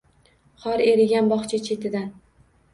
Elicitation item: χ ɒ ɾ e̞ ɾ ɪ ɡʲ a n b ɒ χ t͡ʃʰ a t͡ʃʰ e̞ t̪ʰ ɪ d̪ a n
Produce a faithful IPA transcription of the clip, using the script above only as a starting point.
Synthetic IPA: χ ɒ ɾ e̞ ɾ ɪ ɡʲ a n b ɒ χ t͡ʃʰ a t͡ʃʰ e̞ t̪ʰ ɪ d̪ a n